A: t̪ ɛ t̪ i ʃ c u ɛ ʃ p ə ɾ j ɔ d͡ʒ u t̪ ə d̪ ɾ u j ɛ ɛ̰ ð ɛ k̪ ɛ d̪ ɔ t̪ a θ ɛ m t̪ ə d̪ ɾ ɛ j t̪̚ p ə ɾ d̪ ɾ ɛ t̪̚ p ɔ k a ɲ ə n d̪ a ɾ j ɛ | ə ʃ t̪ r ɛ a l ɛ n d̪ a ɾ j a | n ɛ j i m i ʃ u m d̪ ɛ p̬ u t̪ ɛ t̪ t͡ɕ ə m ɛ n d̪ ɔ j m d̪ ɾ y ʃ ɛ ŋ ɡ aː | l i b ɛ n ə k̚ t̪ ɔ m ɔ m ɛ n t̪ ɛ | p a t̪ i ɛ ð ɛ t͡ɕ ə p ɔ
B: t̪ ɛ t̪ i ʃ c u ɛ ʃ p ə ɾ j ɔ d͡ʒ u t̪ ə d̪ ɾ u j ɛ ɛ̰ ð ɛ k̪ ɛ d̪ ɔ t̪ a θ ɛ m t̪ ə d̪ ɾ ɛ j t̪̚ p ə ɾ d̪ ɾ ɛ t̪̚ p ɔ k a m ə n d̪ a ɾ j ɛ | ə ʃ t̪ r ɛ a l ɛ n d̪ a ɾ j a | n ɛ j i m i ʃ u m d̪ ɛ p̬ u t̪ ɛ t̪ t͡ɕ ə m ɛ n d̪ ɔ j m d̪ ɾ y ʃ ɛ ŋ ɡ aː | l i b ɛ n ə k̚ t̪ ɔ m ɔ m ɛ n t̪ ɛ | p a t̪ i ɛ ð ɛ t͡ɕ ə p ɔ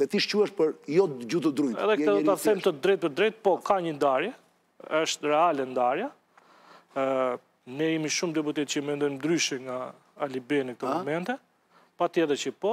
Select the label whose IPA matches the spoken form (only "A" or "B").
A